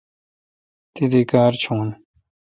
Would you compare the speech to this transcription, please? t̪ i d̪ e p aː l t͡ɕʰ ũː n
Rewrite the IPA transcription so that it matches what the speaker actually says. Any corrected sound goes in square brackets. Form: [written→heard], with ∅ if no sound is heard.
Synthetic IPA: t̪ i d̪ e [p→k] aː [l→ɾ] t͡ɕʰ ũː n